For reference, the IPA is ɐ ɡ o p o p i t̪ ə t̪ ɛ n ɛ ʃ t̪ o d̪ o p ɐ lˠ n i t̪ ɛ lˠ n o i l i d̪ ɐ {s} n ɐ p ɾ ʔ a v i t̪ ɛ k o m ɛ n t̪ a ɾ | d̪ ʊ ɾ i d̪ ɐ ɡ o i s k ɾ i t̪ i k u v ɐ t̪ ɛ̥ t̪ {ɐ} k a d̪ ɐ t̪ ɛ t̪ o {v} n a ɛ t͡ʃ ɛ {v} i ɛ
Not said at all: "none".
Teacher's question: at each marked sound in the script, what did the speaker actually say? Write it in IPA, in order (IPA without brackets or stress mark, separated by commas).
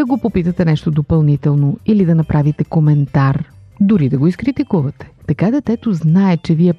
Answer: none, ɐ, z, v